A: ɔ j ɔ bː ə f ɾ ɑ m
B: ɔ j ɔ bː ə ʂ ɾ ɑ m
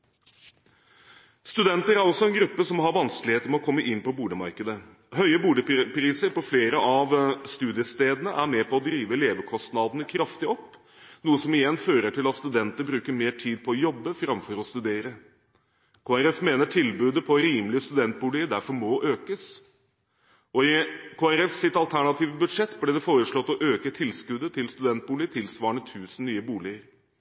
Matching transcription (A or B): A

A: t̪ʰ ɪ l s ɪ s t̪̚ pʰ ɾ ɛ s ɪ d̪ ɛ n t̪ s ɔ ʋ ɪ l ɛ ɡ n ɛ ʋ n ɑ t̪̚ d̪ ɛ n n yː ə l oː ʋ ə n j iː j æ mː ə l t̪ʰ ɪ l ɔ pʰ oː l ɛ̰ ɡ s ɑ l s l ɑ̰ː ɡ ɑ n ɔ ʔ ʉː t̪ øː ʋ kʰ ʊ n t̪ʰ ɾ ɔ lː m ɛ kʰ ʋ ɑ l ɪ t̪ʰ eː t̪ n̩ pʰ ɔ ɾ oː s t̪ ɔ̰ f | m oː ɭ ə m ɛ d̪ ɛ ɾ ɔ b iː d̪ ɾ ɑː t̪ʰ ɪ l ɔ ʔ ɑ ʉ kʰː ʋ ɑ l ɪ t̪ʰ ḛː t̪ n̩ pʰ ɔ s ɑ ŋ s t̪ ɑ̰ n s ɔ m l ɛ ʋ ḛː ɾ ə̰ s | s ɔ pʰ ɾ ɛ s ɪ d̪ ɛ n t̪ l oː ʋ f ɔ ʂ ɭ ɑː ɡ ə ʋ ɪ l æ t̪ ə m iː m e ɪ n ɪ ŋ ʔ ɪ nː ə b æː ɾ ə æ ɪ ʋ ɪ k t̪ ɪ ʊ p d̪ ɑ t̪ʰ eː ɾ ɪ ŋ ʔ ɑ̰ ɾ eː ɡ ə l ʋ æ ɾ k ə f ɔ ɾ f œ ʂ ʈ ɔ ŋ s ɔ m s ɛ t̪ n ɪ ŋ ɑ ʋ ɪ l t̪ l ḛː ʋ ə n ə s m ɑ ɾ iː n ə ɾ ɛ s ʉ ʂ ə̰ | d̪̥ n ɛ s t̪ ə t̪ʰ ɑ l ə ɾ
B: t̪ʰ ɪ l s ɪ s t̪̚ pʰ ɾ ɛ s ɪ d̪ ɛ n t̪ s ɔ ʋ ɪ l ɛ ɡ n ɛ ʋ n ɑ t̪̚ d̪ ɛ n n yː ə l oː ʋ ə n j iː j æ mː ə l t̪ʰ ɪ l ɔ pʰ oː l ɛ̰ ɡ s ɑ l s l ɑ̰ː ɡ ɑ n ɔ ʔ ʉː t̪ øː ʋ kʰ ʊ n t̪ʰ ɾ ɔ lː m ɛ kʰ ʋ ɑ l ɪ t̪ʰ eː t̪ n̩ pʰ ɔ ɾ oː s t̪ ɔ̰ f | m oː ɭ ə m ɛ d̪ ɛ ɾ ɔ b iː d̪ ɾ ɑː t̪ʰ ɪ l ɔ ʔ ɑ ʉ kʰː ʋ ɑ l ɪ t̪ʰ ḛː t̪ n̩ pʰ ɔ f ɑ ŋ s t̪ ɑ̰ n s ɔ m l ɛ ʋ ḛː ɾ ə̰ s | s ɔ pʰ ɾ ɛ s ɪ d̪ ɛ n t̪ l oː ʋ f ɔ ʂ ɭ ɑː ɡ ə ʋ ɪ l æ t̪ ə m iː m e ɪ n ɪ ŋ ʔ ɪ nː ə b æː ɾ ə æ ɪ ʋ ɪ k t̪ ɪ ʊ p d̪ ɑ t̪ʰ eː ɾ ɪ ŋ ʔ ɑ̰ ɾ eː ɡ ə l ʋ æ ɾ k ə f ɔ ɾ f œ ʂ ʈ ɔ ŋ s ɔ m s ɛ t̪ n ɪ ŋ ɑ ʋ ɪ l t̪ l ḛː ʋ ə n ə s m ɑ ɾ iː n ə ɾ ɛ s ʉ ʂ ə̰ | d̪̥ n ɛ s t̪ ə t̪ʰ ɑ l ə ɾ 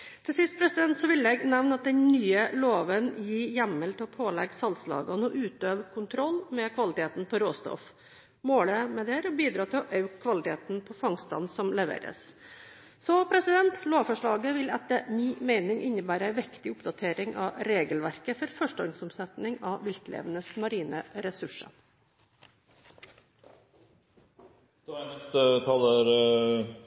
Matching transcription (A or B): B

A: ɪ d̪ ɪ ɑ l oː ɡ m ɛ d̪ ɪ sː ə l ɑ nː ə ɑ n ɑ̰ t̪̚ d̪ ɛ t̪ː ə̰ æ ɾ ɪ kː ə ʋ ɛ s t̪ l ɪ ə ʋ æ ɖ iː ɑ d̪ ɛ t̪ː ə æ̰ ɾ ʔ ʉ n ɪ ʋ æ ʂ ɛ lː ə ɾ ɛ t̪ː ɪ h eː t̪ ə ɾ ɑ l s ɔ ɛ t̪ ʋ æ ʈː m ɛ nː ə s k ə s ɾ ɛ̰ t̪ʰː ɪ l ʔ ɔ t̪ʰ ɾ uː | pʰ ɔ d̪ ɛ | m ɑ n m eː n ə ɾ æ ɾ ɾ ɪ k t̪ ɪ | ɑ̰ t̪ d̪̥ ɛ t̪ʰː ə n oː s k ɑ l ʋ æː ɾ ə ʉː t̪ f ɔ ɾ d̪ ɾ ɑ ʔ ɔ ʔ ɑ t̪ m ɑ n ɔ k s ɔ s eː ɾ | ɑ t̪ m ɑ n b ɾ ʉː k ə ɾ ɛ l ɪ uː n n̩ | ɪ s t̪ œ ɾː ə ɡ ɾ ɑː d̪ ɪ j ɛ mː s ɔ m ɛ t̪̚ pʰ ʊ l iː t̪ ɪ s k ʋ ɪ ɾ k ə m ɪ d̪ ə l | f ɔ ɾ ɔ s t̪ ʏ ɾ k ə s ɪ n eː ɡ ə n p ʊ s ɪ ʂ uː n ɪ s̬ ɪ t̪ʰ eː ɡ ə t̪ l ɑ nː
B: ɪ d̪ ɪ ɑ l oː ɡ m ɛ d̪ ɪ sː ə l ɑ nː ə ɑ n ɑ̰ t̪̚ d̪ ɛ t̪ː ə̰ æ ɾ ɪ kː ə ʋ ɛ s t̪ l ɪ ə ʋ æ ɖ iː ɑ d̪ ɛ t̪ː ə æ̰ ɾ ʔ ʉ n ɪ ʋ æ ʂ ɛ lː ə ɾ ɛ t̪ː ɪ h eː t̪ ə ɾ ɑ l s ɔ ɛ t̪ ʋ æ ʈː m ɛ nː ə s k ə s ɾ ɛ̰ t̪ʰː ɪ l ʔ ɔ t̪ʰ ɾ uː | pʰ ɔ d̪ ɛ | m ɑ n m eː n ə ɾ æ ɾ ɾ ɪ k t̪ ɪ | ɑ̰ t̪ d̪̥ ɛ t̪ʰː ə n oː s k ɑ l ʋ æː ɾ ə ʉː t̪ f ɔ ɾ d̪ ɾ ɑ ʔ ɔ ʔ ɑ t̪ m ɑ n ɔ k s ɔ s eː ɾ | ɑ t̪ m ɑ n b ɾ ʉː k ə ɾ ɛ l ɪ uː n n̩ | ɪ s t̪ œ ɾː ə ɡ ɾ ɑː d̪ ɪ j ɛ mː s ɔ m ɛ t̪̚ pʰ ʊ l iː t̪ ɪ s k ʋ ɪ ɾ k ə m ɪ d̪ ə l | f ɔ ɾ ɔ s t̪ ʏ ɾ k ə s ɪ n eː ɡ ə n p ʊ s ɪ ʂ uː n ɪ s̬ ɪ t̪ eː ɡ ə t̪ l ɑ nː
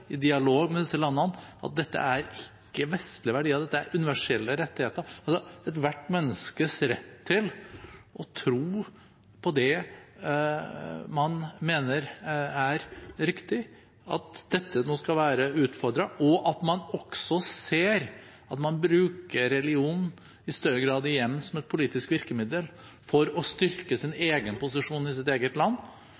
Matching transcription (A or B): B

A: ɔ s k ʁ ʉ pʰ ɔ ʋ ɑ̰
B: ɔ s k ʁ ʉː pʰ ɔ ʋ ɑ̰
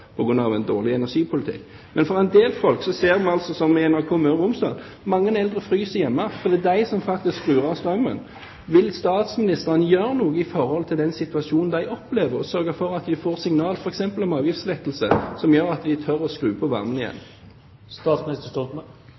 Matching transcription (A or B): B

